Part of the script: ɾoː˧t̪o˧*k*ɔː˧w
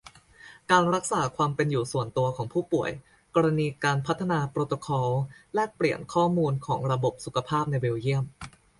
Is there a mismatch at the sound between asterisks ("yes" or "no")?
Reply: yes